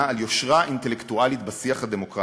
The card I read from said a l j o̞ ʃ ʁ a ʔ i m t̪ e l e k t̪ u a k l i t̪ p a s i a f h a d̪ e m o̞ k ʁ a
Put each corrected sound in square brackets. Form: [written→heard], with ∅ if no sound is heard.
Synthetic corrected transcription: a l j o̞ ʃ ʁ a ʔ i [m→n] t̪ e l e k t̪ u a [k→∅] l i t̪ [p→b] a s i a [f→χ] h a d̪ e m o̞ k ʁ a